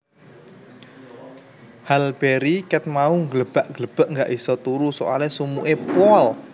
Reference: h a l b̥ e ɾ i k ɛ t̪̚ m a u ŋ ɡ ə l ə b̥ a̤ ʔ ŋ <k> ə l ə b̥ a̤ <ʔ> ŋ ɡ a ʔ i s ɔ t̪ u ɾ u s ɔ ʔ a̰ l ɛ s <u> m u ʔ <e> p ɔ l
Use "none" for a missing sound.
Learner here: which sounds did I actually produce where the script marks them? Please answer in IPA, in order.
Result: ɡ, ʔ, u, e

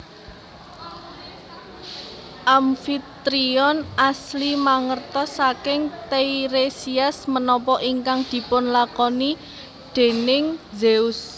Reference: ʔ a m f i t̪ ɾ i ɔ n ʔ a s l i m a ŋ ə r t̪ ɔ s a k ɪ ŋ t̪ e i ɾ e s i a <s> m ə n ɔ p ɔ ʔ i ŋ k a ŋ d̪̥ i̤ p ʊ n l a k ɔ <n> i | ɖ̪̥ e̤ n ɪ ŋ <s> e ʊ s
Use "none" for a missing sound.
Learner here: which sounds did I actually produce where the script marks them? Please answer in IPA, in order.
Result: s, n, z

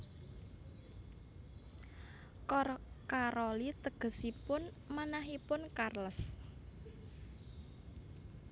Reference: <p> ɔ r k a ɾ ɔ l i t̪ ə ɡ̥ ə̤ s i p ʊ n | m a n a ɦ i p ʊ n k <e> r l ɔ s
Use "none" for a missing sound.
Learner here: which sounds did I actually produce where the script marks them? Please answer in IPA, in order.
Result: k, a

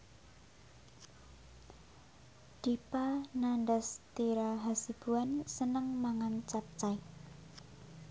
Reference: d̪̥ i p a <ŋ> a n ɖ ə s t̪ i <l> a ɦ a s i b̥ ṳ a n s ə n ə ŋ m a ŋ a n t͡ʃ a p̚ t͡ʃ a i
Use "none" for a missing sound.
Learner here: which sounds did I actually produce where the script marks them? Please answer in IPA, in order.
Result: n, ɾ

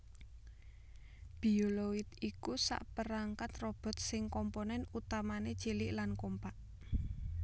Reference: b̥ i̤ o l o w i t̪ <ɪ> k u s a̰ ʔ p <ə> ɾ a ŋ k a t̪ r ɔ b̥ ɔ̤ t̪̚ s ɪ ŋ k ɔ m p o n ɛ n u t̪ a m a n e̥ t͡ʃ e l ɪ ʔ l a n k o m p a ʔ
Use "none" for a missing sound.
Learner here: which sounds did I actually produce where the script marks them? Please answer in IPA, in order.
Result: i, ə

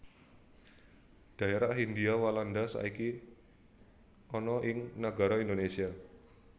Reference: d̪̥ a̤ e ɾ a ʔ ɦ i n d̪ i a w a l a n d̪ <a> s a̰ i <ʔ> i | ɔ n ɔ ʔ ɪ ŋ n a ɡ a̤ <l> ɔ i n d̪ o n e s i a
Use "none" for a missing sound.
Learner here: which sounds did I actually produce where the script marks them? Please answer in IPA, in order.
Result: a, k, ɾ

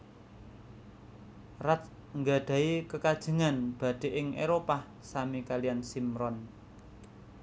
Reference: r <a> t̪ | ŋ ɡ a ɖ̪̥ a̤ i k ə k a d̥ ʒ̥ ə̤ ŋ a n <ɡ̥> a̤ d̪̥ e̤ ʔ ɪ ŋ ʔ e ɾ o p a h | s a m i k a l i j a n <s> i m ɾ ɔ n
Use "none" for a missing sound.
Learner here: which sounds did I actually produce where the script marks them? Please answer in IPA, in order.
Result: a, b̥, s

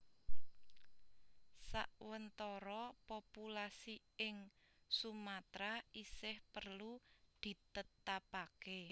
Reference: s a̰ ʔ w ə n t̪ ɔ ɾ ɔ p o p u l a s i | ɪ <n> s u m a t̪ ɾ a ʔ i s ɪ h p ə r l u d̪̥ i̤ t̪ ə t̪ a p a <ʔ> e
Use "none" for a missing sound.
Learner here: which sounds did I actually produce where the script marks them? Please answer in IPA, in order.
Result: ŋ, k

